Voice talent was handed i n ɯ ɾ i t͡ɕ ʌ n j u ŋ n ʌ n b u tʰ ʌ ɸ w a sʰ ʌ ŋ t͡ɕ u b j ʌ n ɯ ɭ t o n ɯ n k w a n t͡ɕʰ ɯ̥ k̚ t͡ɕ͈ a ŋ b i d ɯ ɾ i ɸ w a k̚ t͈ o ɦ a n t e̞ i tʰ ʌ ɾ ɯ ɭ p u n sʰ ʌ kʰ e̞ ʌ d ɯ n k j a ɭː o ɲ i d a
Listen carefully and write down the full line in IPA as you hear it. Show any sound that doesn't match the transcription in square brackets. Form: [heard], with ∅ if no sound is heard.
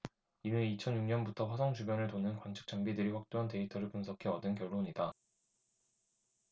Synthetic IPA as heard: i n ɯ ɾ i [t͡ɕʰ] ʌ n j u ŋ [ɲ] ʌ n b u tʰ ʌ ɸ w a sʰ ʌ ŋ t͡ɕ u b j ʌ n ɯ ɭ t o n ɯ n k w a n t͡ɕʰ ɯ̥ k̚ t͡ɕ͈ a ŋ b i d ɯ ɾ i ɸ w a k̚ t͈ o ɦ a n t e̞ i tʰ ʌ ɾ ɯ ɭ p u n sʰ ʌ kʰ e̞ ʌ d ɯ n k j [ʌ] ɭː o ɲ i d a

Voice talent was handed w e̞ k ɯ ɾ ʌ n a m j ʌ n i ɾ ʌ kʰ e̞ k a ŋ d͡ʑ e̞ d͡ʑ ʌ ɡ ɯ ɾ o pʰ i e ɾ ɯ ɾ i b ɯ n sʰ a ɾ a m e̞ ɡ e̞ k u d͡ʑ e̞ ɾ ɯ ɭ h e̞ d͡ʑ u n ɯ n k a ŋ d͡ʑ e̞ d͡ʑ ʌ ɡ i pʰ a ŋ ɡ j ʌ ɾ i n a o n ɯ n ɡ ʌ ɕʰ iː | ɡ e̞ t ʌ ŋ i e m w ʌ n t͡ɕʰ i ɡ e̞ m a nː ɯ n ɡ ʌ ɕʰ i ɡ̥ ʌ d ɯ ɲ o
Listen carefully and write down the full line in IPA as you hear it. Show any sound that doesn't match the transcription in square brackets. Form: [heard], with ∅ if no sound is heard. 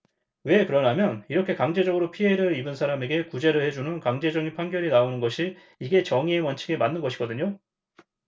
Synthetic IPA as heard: w e̞ k ɯ ɾ ʌ n a m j ʌ n i ɾ ʌ kʰ e̞ k a ŋ d͡ʑ e̞ d͡ʑ ʌ ɡ ɯ ɾ o pʰ i e ɾ ɯ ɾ i b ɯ n sʰ a ɾ a m e̞ ɡ e̞ k u d͡ʑ e̞ ɾ ɯ ɭ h e̞ d͡ʑ u n ɯ n k a ŋ d͡ʑ e̞ d͡ʑ ʌ [ŋ] i pʰ a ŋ ɡ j ʌ ɾ i n a o n ɯ n ɡ ʌ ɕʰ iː | ɡ e̞ [t͡ɕ] ʌ ŋ i e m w ʌ n t͡ɕʰ i ɡ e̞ m a nː ɯ n ɡ ʌ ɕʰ i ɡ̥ ʌ d ɯ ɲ o

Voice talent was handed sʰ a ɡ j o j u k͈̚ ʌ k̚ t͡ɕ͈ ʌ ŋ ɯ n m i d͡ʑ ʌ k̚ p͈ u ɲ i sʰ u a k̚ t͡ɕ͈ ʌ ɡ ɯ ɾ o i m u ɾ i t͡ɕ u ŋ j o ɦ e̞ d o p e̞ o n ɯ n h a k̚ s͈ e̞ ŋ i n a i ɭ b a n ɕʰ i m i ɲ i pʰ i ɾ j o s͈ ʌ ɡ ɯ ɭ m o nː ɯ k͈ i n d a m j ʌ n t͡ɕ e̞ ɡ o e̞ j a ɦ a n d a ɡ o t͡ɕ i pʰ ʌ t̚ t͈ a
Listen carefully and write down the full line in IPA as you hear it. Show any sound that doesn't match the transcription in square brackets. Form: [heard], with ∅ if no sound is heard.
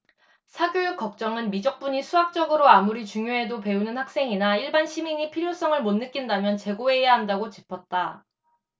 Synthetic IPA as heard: sʰ a ɡ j o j u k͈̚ ʌ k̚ t͡ɕ͈ ʌ ŋ ɯ n m i d͡ʑ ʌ k̚ p͈ u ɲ i sʰ u a k̚ t͡ɕ͈ ʌ ɡ ɯ ɾ o [a] m u ɾ i t͡ɕ u ŋ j o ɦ e̞ d o p e̞ [u] n ɯ n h a k̚ s͈ e̞ ŋ i n a i ɭ b a n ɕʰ i m i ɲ i pʰ i ɾ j o s͈ ʌ [ŋ] ɯ ɭ m o nː ɯ k͈ i n d a m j ʌ n t͡ɕ e̞ ɡ o e̞ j a ɦ a n d a ɡ o t͡ɕ i pʰ ʌ t̚ t͈ a

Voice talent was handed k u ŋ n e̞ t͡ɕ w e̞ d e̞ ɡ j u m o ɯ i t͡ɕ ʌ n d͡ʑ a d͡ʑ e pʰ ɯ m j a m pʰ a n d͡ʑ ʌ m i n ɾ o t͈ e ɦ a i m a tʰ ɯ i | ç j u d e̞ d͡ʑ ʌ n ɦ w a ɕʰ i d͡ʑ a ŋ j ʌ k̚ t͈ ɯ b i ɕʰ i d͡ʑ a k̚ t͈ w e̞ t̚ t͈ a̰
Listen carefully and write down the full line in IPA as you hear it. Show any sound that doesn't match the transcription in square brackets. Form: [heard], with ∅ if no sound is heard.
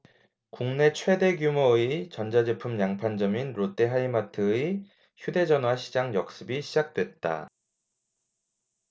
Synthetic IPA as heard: k u ŋ n e̞ [t͡ɕʰ] w e̞ d e̞ ɡ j u m o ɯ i t͡ɕ ʌ n d͡ʑ a d͡ʑ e pʰ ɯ m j a [ŋ] pʰ a n d͡ʑ ʌ m i n ɾ o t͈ e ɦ a i m a tʰ ɯ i | ç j u d e̞ d͡ʑ ʌ n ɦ w a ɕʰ i d͡ʑ a ŋ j ʌ k̚ [s͈] ɯ b i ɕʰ i d͡ʑ a k̚ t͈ w e̞ t̚ t͈ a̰

